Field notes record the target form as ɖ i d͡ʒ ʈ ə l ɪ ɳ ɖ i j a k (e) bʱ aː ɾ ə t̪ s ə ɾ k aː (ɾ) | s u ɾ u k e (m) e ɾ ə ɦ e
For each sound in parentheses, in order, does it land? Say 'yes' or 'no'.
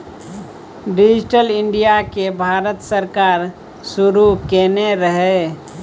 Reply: yes, yes, no

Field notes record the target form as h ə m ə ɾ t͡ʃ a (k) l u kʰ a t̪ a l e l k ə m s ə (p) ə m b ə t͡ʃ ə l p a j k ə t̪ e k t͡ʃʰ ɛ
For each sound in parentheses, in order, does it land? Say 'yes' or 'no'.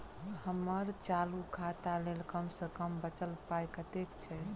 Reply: no, no

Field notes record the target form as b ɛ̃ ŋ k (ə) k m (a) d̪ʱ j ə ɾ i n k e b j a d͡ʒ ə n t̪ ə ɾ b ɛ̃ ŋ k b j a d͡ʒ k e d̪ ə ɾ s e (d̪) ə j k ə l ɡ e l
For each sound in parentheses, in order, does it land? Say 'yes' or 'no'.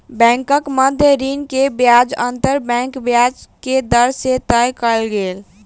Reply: yes, no, no

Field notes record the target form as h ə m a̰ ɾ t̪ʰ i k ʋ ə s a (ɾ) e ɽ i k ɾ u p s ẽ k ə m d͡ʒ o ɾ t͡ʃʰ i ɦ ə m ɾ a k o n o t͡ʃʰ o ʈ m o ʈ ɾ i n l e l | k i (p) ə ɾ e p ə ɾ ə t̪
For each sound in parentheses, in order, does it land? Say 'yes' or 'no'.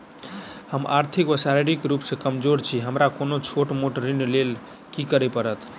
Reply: yes, no

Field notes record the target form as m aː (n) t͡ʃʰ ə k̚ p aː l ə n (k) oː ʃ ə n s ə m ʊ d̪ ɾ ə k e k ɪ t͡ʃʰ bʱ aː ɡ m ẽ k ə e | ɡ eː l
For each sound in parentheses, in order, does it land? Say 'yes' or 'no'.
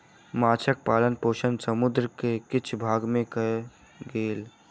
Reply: no, no

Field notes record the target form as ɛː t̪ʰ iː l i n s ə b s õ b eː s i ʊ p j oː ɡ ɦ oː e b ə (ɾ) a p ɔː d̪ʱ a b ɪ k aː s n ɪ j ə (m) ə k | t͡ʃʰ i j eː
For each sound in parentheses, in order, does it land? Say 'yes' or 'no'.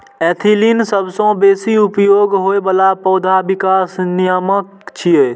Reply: no, yes

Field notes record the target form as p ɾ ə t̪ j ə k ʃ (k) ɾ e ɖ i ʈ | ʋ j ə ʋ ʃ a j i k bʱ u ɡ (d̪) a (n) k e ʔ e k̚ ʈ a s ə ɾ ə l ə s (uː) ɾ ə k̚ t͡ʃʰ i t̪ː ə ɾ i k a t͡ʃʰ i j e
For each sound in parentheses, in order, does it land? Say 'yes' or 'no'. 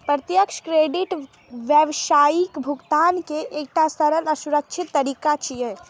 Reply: yes, no, yes, no

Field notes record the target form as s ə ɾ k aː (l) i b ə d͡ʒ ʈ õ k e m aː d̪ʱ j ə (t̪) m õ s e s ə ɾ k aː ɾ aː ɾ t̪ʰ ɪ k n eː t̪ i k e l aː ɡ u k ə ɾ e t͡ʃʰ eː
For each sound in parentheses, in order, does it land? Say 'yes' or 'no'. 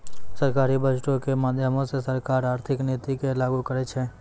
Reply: no, no

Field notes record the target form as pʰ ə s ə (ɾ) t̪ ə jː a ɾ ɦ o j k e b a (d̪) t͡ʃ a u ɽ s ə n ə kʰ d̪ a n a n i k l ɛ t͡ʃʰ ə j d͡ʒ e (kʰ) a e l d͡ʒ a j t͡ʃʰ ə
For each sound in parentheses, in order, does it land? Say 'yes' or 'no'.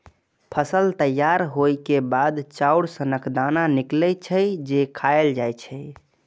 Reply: no, yes, yes

